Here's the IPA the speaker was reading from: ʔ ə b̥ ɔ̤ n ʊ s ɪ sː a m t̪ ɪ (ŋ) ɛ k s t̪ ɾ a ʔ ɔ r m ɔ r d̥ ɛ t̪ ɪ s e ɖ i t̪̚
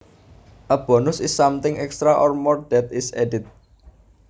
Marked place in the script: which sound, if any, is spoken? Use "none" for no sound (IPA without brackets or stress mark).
ŋ